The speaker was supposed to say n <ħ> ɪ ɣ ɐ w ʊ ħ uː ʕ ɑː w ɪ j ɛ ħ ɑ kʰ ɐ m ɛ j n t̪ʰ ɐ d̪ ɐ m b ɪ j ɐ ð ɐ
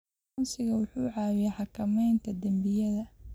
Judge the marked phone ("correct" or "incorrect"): incorrect